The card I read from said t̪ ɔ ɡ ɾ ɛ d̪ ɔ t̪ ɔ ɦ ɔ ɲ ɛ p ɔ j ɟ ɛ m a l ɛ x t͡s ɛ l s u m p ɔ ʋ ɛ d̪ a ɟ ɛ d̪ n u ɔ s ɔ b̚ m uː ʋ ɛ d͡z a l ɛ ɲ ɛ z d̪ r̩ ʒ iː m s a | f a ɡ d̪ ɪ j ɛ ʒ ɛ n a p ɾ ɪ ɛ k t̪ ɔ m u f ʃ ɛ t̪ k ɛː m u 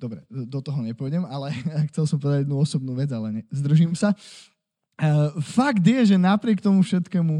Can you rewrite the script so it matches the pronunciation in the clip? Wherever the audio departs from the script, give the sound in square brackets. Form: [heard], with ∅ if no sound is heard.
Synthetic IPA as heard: [d̪] ɔ [b] ɾ ɛ d̪ ɔ t̪ ɔ ɦ ɔ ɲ ɛ p ɔ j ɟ ɛ m a l ɛ x t͡s ɛ l s [ɔ] m p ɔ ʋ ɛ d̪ a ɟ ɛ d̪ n u ɔ s ɔ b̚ [n] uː ʋ ɛ d͡z a l ɛ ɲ ɛ z d̪ r̩ ʒ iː m s a | f a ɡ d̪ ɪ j ɛ ʒ ɛ n a p ɾ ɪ ɛ k t̪ ɔ m u f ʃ ɛ t̪ k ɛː m u